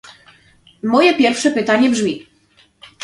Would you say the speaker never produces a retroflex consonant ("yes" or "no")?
no